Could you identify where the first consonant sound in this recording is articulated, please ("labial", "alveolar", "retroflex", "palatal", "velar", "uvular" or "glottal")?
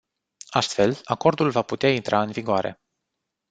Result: alveolar